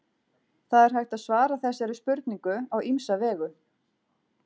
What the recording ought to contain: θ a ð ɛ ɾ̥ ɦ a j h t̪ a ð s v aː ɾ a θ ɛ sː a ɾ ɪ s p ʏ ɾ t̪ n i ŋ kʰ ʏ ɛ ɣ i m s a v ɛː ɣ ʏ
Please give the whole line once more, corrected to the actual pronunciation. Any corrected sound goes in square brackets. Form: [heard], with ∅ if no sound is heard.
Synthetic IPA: θ a ð ɛ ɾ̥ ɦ a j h t̪ a ð s v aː ɾ a θ ɛ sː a ɾ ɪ s p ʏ ɾ t̪ n i ŋ [k] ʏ [a] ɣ i m s a v ɛː ɣ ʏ